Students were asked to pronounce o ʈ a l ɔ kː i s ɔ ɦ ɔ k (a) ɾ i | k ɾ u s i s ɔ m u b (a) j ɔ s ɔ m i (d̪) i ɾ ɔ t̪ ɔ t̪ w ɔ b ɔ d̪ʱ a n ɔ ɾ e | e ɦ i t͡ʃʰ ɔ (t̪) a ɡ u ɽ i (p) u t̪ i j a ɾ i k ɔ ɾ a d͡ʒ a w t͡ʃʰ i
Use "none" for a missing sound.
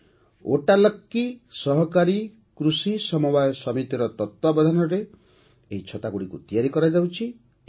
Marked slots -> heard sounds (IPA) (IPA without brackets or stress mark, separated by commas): a, a, t̪, t̪, k